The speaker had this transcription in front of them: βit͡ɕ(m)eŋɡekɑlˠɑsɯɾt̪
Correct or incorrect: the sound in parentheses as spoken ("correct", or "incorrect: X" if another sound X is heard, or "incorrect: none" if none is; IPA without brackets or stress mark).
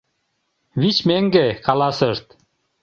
correct